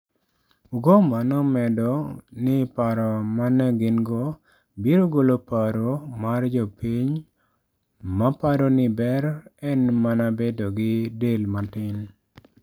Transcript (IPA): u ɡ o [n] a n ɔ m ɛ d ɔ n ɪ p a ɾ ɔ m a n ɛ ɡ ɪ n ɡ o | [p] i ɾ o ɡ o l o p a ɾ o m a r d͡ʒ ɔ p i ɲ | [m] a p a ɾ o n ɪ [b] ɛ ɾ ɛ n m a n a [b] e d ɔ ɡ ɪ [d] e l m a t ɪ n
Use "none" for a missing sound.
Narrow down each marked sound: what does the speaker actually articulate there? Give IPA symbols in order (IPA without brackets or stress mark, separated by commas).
m, b, m, b, b, d